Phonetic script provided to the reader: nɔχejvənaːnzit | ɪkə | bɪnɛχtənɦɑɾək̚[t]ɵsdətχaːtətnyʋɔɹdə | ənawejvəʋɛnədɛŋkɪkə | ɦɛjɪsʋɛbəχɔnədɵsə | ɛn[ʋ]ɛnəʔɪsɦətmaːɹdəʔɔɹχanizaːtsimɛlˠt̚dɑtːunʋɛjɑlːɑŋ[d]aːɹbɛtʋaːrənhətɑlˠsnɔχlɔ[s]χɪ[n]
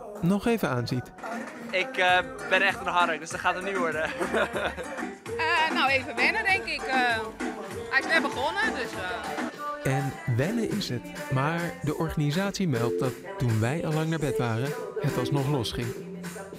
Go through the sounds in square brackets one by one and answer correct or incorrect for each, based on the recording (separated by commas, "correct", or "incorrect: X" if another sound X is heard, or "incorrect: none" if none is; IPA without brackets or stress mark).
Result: incorrect: d, correct, incorrect: n, correct, incorrect: ŋ